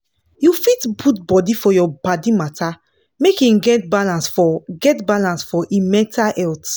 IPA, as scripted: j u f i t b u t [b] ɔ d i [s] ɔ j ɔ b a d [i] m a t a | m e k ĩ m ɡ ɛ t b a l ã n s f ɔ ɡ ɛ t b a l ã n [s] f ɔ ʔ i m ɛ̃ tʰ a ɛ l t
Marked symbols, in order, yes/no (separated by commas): yes, no, yes, yes